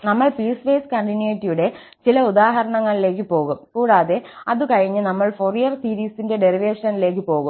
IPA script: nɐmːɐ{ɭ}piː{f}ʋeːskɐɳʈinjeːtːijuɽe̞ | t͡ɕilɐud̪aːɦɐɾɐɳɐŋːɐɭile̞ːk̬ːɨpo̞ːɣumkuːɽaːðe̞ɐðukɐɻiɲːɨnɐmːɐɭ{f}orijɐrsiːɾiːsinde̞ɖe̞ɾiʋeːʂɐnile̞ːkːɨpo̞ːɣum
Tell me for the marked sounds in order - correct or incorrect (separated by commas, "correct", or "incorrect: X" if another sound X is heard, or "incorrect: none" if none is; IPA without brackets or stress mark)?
correct, incorrect: s, correct